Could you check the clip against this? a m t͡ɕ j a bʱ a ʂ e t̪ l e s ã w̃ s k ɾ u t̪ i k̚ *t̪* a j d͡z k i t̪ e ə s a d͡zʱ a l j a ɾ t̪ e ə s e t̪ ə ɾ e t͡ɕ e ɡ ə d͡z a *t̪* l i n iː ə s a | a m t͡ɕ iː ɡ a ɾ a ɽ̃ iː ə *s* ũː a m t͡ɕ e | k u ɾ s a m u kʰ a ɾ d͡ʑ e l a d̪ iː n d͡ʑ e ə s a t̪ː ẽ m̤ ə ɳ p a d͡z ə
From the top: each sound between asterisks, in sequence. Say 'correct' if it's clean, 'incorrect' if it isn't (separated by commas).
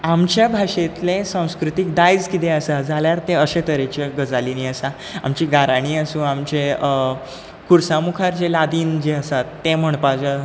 incorrect, incorrect, correct